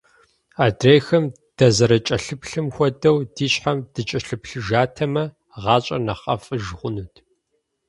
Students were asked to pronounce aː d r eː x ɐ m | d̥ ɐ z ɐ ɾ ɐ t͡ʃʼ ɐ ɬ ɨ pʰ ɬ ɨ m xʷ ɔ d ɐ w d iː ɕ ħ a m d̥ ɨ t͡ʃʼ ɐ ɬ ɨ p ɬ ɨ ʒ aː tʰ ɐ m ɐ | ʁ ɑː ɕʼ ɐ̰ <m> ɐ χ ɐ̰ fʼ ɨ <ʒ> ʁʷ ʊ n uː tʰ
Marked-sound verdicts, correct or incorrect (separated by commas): incorrect, correct